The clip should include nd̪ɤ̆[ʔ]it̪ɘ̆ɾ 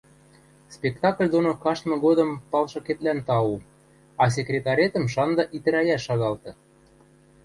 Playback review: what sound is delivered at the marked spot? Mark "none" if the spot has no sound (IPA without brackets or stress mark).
ʔ